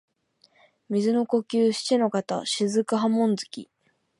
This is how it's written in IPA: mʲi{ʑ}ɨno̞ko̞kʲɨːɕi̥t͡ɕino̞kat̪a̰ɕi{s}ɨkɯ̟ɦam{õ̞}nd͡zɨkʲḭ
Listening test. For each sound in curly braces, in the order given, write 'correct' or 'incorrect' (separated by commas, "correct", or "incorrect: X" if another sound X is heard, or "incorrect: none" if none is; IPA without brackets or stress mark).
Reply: incorrect: z, incorrect: z, correct